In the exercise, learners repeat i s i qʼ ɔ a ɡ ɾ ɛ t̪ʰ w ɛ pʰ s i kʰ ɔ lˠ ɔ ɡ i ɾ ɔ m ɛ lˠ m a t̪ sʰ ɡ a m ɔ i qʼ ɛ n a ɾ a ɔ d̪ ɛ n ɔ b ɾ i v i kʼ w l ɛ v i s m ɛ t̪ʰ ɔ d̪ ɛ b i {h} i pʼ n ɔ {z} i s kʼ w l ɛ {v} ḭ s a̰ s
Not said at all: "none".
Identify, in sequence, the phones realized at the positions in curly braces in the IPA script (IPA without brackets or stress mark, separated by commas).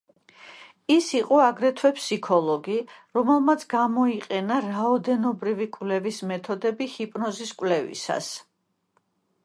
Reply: h, z, v